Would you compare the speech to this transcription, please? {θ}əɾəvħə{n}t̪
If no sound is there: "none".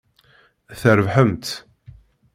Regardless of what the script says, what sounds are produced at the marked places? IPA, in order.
θ, m

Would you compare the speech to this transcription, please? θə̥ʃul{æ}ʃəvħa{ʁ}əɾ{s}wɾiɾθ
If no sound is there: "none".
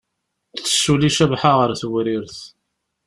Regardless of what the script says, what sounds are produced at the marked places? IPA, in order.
i, ʁ, θ

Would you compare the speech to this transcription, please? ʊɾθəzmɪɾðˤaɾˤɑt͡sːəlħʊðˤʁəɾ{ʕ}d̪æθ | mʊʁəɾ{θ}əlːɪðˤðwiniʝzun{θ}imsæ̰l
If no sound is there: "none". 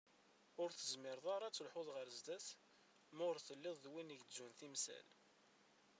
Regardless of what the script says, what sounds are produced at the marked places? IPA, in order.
z, θ, θ

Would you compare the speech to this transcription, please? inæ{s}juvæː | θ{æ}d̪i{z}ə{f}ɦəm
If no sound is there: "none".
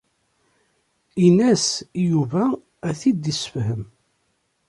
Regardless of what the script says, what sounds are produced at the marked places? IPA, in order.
s, i, s, f

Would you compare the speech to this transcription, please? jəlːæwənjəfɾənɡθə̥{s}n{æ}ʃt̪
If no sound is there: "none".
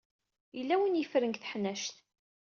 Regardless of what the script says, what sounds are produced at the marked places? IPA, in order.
ħ, æ

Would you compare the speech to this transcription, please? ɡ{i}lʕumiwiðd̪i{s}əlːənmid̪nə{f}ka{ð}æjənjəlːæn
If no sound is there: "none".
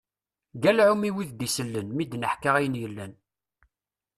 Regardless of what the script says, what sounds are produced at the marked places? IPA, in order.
æ, s, ħ, ʁ

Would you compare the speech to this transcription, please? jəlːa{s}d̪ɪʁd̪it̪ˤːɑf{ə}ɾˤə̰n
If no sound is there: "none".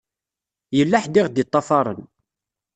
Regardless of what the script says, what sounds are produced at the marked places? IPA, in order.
ħ, ɑ

